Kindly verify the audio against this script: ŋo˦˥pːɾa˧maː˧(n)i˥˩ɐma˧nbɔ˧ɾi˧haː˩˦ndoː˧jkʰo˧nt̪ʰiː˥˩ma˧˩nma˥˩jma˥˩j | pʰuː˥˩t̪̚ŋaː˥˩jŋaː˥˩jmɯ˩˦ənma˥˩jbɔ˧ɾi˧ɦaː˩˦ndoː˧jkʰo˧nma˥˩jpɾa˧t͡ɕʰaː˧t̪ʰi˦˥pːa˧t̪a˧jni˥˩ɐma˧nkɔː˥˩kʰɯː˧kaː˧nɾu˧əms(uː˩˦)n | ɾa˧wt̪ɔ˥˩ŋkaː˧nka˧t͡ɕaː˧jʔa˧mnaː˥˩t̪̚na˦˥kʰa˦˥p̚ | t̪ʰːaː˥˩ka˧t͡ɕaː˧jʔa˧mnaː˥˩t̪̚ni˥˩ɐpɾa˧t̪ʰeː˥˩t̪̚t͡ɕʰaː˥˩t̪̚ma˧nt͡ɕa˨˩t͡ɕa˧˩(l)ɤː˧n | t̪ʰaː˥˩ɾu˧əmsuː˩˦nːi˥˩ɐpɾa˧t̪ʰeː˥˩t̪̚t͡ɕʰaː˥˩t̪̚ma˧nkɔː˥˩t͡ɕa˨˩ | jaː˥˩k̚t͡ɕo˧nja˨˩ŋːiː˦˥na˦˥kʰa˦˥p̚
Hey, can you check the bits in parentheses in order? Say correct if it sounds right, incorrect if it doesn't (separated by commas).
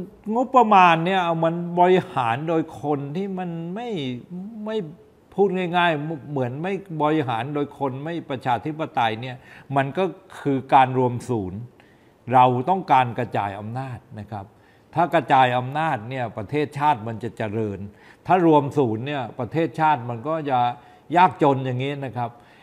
incorrect, correct, incorrect